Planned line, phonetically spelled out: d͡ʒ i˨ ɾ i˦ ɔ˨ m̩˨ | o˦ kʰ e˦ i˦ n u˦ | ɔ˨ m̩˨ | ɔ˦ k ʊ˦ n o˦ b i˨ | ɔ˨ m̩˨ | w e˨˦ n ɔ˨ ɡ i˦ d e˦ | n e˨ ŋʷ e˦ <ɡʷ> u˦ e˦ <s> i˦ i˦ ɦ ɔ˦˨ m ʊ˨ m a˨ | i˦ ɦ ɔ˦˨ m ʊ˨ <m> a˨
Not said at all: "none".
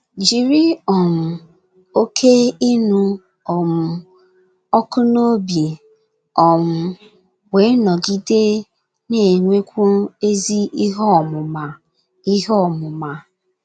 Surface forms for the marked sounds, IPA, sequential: kʷ, z, m

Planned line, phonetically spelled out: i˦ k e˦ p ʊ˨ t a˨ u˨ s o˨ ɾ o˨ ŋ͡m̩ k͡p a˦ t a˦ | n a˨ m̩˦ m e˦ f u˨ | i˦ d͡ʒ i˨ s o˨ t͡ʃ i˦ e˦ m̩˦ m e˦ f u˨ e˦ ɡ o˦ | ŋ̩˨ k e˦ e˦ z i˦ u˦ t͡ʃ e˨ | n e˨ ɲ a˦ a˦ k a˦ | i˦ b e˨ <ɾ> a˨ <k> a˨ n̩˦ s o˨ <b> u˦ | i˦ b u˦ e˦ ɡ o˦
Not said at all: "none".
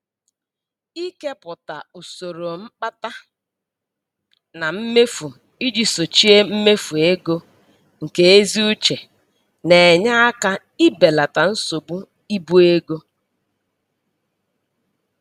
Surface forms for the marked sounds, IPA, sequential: l, t, b

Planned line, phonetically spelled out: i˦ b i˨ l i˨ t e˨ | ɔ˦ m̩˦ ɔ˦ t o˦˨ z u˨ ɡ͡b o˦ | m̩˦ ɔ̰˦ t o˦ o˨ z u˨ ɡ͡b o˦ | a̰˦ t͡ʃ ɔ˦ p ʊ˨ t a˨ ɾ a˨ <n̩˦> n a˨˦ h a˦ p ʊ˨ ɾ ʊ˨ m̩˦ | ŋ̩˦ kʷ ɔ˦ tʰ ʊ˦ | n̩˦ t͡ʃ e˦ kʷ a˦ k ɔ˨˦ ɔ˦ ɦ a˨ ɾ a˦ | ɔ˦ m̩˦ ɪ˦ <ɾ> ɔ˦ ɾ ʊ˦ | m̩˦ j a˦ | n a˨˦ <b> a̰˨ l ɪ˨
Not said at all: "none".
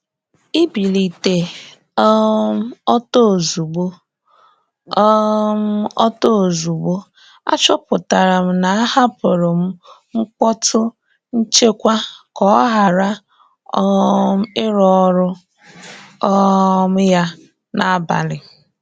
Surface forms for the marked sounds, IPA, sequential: m̩˦, ɾ, b

